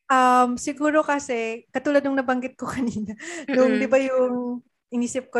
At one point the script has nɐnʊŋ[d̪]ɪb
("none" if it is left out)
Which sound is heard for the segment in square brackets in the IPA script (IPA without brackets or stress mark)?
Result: d̪